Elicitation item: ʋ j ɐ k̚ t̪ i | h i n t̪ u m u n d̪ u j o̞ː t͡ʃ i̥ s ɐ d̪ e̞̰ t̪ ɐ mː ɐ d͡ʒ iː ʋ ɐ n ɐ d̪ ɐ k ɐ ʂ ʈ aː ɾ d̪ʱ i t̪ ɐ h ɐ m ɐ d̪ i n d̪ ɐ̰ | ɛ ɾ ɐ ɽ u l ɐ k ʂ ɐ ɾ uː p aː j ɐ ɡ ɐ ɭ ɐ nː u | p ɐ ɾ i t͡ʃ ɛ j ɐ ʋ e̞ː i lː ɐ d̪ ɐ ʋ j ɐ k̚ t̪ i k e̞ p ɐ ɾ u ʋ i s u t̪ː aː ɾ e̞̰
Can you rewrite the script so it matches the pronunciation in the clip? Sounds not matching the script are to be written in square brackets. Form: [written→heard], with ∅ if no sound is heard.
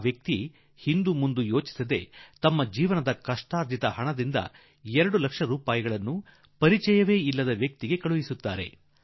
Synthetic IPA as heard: ʋ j ɐ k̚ t̪ i | h i n [t̪→d̪] u m u n d̪ u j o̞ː t͡ʃ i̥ s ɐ d̪ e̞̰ t̪ ɐ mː ɐ d͡ʒ iː ʋ ɐ n ɐ d̪ ɐ k ɐ ʂ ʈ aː ɾ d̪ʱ i t̪ ɐ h ɐ [m→ɳ] ɐ d̪ i n d̪ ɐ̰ | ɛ ɾ ɐ ɽ u l ɐ k ʂ ɐ ɾ uː p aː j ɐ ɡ ɐ ɭ ɐ nː u | p ɐ ɾ i t͡ʃ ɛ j ɐ ʋ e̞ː i lː ɐ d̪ ɐ ʋ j ɐ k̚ t̪ i [k→ɡ] e̞ [p→k] ɐ [ɾ→ɭ] u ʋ i s u t̪ː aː ɾ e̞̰